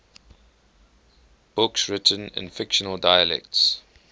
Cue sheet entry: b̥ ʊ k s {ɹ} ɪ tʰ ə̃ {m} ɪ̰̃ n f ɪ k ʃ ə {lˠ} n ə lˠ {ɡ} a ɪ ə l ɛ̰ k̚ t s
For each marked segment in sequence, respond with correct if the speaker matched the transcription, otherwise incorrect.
correct, incorrect, incorrect, incorrect

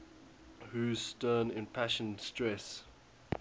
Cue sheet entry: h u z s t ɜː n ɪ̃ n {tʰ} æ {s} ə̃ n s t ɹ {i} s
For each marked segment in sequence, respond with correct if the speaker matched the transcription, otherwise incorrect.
incorrect, incorrect, incorrect

